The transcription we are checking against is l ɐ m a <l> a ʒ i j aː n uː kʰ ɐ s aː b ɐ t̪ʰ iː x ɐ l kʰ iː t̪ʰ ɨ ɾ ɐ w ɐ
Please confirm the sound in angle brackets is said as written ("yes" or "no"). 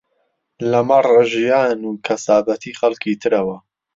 no